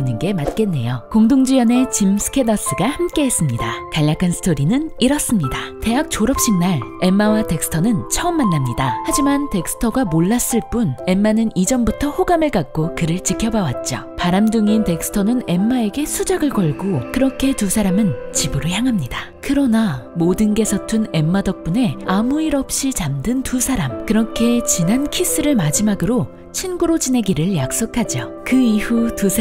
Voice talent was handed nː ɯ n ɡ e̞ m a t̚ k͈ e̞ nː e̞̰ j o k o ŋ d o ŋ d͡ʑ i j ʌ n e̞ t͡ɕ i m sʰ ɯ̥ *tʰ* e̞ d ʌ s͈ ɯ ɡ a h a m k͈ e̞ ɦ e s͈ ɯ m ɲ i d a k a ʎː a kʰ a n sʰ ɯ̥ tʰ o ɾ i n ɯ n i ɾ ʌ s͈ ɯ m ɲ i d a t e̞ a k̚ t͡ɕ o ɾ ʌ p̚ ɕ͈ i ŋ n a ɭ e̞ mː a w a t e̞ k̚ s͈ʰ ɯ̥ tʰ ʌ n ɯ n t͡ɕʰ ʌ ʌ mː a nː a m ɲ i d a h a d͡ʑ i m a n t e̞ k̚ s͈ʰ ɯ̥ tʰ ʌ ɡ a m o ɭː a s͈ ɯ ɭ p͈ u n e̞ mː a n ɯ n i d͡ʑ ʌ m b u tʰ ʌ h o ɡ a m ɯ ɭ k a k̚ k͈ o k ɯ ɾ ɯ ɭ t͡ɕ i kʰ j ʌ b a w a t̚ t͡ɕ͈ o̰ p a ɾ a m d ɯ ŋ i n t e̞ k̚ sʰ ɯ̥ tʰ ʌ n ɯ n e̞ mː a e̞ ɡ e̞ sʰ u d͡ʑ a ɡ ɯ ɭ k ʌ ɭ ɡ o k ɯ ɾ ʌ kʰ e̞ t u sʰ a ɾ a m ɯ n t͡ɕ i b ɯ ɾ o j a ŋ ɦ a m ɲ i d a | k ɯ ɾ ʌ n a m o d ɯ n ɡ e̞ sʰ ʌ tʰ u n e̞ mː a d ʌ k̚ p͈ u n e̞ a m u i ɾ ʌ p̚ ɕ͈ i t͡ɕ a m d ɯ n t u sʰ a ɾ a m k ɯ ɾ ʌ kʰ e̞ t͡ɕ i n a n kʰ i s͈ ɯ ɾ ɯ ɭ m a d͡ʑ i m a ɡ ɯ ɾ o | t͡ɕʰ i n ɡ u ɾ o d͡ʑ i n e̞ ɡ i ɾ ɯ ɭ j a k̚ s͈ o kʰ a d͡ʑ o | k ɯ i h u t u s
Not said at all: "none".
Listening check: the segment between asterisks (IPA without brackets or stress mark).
kʰ